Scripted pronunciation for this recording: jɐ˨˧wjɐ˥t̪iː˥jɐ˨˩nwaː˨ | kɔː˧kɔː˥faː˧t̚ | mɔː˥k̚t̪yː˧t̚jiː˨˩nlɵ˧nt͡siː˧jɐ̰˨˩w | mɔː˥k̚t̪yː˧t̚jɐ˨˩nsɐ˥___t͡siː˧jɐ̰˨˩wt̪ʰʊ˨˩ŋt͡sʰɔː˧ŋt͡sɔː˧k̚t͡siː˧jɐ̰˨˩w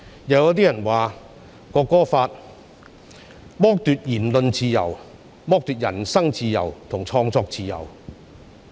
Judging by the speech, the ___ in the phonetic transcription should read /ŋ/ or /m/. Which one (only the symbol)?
ŋ